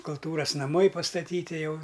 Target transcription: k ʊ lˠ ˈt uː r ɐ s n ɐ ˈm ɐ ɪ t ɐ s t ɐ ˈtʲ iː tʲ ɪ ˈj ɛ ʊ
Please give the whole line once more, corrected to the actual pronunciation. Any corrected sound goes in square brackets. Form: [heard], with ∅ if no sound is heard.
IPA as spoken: k ʊ lˠ ˈt uː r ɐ s n ɐ ˈm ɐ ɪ [p] ɐ s t ɐ ˈtʲ iː tʲ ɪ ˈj ɛ ʊ